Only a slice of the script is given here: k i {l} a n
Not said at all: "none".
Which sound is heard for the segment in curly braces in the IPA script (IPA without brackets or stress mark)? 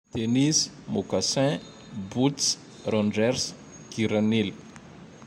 ɾ